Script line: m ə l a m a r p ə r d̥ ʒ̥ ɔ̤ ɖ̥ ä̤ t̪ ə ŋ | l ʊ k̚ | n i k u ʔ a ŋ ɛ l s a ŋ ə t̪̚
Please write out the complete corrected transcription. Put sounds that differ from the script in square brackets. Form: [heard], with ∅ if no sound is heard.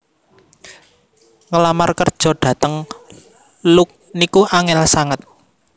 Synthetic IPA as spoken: [ŋ] ə l a m a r [k] ə r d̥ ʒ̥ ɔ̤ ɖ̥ ä̤ t̪ ə ŋ | l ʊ k̚ | n i k u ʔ a ŋ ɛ l s a ŋ ə t̪̚